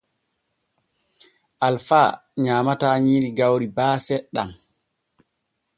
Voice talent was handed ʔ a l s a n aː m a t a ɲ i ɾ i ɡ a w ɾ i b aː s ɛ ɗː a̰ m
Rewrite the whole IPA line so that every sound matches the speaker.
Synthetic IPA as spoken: ʔ a l f a ɲ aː m a t a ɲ i ɾ i ɡ a w ɾ i b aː s ɛ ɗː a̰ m